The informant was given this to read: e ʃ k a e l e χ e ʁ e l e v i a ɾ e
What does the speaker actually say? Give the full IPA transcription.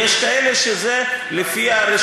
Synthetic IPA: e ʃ k a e l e ʃ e z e l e f i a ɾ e